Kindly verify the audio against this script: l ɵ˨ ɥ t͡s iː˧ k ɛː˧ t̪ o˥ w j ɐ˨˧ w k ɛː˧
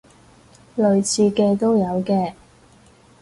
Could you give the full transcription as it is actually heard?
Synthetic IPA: l ɵ˨ ɥ t͡sʰ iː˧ k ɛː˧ t̪ o˥ w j ɐ˨˧ w k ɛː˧